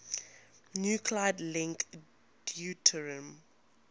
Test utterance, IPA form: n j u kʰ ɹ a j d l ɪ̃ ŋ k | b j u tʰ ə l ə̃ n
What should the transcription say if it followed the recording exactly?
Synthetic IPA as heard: n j u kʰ l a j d l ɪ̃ ŋ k | d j u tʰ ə ɹ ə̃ m